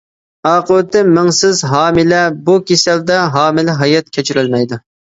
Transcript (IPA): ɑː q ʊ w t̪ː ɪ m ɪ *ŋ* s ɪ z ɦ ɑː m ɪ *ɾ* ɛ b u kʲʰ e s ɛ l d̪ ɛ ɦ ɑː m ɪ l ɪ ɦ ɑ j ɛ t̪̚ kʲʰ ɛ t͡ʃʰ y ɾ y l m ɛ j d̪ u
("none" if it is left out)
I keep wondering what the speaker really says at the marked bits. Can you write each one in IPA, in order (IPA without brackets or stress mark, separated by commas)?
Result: ŋ, l